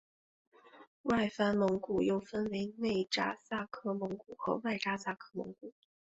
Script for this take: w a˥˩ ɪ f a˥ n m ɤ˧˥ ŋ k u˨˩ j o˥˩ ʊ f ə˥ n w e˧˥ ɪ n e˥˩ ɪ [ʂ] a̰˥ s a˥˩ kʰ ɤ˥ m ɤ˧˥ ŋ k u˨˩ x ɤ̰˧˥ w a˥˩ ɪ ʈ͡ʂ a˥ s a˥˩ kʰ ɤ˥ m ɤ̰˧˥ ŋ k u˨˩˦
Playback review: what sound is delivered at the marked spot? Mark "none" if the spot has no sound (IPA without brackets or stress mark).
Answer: ʈ͡ʂ